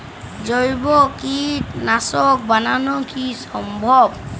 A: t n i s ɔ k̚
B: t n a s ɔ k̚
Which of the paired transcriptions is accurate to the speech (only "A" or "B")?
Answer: B